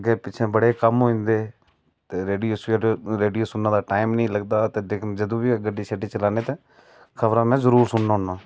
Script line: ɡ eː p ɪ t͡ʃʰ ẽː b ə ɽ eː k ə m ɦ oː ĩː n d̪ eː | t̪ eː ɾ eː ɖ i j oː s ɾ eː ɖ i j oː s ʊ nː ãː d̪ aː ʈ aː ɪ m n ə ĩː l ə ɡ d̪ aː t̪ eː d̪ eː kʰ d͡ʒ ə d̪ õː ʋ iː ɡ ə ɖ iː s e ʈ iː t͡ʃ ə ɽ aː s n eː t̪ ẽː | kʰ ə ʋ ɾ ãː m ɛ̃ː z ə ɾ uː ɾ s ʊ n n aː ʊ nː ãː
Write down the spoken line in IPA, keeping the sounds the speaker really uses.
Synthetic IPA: ɡ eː p ɪ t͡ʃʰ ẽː b ə ɽ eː k ə m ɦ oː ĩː n d̪ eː | t̪ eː ɾ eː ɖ i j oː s ɾ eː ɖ i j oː s ʊ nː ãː d̪ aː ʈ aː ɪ m n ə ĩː l ə ɡ d̪ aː t̪ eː d̪ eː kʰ d͡ʒ ə d̪ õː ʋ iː ɡ ə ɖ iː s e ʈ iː t͡ʃ ə l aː n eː t̪ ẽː | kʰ ə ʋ ɾ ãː m ɛ̃ː z ə ɾ uː ɾ s ʊ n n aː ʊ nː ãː